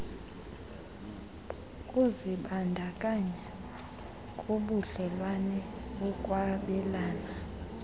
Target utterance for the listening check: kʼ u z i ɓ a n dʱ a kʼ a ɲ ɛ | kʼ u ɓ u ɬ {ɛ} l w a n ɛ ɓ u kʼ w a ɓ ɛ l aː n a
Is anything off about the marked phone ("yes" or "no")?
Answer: no